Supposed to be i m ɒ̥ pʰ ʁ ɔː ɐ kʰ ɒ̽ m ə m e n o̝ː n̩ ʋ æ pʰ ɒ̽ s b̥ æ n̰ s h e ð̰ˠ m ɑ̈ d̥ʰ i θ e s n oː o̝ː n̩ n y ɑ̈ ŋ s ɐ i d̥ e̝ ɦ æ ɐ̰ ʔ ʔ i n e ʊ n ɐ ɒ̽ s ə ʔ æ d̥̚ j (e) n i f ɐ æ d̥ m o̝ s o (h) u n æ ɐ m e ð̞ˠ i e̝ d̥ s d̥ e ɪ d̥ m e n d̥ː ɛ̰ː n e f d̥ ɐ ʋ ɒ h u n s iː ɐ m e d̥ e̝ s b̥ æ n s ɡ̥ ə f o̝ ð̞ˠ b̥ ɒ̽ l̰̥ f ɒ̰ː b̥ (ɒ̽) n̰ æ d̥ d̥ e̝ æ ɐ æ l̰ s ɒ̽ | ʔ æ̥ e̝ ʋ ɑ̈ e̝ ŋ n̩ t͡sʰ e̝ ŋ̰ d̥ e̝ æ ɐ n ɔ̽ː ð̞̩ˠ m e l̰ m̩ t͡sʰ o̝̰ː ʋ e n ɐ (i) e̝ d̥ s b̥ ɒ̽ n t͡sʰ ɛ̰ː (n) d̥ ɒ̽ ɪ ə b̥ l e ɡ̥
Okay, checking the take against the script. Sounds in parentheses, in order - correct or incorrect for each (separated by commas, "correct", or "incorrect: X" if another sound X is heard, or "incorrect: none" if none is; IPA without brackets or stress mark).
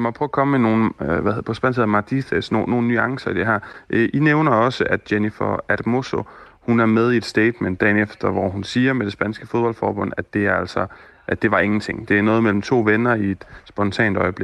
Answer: correct, correct, incorrect: ɔ̽, correct, correct